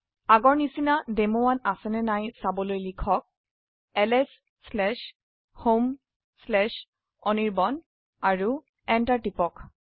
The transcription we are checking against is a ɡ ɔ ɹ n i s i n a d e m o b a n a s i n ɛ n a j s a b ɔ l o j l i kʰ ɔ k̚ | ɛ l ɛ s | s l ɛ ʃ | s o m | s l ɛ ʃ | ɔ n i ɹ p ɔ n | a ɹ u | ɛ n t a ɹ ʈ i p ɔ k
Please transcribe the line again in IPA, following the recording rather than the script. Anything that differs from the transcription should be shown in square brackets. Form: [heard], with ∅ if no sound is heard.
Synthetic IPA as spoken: a ɡ ɔ ɹ n i s i n a d e m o [w] a n a s [ɛ] n ɛ n a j s a b ɔ l o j l i kʰ ɔ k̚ | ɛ l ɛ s | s l ɛ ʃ | [h] o m | s l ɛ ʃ | ɔ n i ɹ [b] ɔ n | a ɹ u | ɛ n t a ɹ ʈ i p ɔ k